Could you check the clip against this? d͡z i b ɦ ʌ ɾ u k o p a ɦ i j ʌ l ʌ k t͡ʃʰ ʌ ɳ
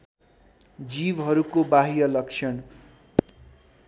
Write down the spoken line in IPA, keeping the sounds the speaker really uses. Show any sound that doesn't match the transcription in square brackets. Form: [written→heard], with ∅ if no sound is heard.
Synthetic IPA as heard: d͡z i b ɦ ʌ ɾ u k o [p→b] a ɦ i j ʌ l ʌ k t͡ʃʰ ʌ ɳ